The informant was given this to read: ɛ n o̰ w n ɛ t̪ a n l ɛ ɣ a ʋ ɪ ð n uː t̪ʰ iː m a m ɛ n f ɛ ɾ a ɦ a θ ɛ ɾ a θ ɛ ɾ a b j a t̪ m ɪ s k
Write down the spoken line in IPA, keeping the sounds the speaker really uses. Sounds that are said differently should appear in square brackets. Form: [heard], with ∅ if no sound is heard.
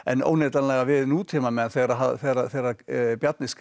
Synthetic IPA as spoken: ɛ n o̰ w n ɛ t̪ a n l ɛ ɣ a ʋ ɪ ð n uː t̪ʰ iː m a m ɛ n [θ] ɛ ɾ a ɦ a θ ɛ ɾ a θ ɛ ɾ a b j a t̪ [n] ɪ s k